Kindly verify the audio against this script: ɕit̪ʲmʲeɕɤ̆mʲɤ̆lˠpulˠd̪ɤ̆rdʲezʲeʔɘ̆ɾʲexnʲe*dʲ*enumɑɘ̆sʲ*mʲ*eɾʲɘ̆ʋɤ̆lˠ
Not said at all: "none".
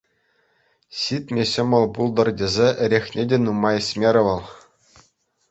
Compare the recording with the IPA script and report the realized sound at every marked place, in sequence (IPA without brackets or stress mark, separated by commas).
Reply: dʲ, mʲ